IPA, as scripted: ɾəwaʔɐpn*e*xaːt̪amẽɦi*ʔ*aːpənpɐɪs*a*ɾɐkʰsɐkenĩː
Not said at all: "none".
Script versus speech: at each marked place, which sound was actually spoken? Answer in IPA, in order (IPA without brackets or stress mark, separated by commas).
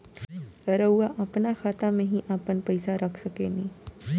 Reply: a, ʔ, a